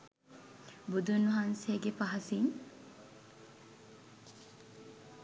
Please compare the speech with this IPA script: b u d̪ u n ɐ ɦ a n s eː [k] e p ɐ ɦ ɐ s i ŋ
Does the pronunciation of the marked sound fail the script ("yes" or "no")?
yes